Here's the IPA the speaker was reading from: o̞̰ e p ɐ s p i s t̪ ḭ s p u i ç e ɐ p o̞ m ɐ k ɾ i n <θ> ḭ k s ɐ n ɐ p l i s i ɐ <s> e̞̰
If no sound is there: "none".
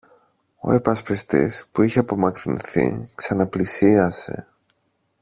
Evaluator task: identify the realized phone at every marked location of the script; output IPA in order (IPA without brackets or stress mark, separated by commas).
θ, s